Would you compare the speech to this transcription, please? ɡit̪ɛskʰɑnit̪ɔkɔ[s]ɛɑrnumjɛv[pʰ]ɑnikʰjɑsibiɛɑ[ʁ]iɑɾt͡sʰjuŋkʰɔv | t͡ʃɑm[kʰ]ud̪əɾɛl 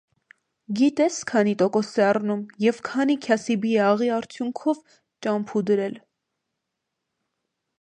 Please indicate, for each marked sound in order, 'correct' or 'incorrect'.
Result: correct, incorrect: kʰ, correct, incorrect: pʰ

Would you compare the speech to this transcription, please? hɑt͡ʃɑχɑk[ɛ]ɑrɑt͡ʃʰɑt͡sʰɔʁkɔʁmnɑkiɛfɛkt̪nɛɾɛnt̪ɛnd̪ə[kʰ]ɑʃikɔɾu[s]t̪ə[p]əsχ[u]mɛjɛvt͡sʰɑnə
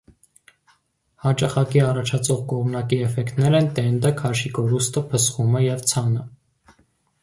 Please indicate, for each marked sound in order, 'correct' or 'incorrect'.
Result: incorrect: i, correct, correct, incorrect: pʰ, correct

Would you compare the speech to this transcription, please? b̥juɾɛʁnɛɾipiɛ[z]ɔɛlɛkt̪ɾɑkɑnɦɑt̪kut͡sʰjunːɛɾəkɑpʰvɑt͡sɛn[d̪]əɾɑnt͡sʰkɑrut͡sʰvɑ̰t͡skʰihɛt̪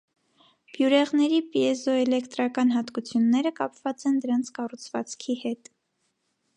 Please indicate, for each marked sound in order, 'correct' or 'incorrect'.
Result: correct, correct

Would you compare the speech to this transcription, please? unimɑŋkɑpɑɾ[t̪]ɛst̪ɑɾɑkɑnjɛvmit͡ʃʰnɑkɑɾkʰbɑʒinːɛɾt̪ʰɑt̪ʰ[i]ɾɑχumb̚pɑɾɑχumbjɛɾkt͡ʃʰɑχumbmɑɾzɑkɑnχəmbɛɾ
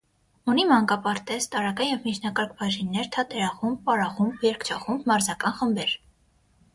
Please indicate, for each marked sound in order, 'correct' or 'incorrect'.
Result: correct, incorrect: ɛ

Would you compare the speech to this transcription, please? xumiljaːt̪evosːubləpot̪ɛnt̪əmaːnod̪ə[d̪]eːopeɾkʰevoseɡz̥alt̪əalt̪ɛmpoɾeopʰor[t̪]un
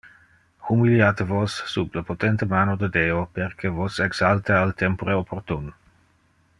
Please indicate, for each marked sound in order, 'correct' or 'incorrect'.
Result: correct, correct

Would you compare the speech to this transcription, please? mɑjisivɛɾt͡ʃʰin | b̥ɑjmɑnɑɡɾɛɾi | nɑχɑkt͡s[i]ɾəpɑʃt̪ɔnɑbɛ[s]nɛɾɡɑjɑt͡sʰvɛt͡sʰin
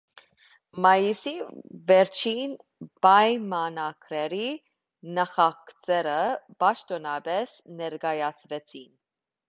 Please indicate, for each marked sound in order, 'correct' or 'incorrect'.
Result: incorrect: ɛ, correct

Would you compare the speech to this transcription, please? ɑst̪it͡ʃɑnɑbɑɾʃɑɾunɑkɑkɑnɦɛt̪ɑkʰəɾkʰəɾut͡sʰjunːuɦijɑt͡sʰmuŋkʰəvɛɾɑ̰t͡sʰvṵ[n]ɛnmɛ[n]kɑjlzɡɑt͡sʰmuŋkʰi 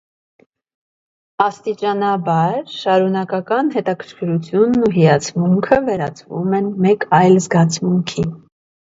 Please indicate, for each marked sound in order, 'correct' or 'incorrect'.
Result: incorrect: m, incorrect: none

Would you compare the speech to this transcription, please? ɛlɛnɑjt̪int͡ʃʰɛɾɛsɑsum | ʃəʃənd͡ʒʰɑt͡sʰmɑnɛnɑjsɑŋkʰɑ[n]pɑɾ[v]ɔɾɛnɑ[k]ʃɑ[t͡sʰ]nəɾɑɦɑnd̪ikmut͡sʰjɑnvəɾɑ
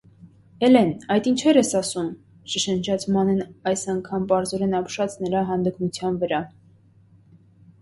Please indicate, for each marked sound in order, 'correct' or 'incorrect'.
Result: incorrect: m, incorrect: z, incorrect: p, incorrect: t͡s

